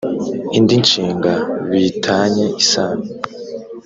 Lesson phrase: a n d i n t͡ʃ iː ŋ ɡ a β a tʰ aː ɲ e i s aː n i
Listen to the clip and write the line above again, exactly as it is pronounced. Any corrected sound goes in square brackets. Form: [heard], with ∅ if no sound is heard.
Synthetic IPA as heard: [i] n d i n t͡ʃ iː ŋ ɡ a β [i] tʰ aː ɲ e i s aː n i